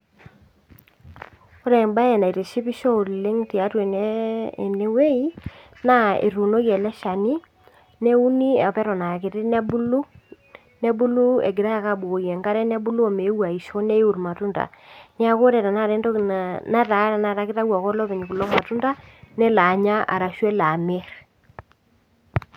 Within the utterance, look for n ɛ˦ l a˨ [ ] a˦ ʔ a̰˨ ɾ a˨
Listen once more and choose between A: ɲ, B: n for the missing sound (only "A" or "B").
A